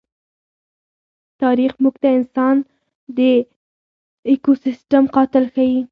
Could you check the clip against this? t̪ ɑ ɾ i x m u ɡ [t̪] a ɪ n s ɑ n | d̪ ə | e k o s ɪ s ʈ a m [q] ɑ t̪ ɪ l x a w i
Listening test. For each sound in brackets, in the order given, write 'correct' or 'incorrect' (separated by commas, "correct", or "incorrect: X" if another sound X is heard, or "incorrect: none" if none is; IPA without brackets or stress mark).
correct, correct